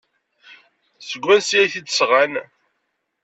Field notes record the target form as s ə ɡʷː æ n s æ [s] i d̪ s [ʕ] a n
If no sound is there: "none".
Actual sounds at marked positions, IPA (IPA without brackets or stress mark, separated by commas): θ, ʁ